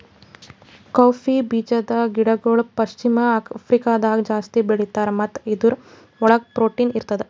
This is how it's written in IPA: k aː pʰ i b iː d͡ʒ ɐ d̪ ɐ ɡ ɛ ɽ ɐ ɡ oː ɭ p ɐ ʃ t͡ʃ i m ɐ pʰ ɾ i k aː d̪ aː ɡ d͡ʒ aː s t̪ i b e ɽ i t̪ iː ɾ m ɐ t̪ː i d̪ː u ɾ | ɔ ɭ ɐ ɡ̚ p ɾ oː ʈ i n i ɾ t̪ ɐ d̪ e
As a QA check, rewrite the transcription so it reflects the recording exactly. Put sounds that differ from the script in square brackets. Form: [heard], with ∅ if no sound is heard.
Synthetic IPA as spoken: k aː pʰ i b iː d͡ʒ ɐ d̪ ɐ ɡ [i] ɽ ɐ ɡ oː ɭ p ɐ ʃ t͡ʃ i m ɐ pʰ ɾ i k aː d̪ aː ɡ d͡ʒ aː s t̪ i b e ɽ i t̪ [aː] ɾ m ɐ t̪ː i [d̪] u ɾ | ɔ ɭ ɐ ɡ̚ p ɾ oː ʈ i n i ɾ t̪ ɐ d̪ e